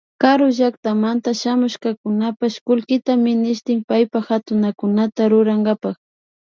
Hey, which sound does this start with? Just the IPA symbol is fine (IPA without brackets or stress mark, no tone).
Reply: k